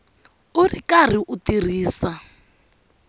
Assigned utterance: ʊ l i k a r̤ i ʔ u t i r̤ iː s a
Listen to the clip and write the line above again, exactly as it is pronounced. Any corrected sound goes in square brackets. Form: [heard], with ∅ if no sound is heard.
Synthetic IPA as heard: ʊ [r] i k a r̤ i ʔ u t i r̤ iː s a